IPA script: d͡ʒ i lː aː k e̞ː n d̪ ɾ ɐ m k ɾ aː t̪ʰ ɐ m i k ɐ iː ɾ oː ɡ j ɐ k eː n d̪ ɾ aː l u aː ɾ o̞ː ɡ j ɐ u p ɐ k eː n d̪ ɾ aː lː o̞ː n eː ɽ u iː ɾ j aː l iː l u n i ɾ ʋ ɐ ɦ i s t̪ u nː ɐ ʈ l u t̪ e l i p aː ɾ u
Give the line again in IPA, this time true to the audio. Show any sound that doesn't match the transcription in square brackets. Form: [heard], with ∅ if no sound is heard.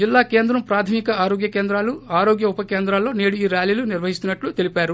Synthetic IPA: d͡ʒ i lː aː k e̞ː n d̪ ɾ ɐ m [p] ɾ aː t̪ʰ ɐ m i k ɐ [aː] ɾ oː ɡ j ɐ k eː n d̪ ɾ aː l u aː ɾ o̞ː ɡ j ɐ u p ɐ k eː n d̪ ɾ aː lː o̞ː n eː ɽ u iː ɾ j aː l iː l u n i ɾ ʋ ɐ ɦ i s t̪ u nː ɐ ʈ l u t̪ e l i p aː ɾ u